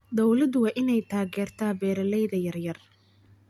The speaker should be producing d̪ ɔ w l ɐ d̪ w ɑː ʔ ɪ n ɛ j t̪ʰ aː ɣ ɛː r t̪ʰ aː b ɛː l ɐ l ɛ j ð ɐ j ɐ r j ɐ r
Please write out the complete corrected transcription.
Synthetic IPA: d̪ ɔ w l ɐ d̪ w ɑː ʔ ɪ n ɛ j t̪ʰ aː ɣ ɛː r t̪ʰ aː b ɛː ɾ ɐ l ɛ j ð ɐ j ɐ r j ɐ r